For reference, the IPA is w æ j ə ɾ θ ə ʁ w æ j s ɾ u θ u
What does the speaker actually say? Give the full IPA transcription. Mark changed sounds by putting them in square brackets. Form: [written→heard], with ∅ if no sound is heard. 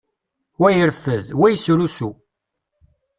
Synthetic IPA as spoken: w æ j ə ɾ [θ→f] ə [ʁ→ð] w æ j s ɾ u [θ→s] u